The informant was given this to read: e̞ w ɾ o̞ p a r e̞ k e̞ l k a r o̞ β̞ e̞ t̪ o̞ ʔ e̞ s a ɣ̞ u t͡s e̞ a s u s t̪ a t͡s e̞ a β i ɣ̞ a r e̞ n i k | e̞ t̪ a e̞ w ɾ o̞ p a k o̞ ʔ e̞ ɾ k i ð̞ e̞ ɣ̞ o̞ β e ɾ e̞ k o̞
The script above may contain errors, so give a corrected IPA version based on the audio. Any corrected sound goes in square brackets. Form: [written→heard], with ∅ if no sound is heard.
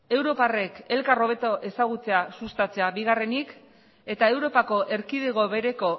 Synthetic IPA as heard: e̞ w ɾ o̞ p a r e̞ k e̞ l k a r o̞ β̞ e̞ t̪ o̞ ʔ e̞ s a ɣ̞ u t͡s e̞ a s u s t̪ a t͡s e̞ a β i ɣ̞ a r e̞ n i k | e̞ t̪ a e̞ w ɾ o̞ p a k o̞ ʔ e̞ ɾ k i ð̞ e̞ ɣ̞ o̞ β e ɾ e̞ k o̞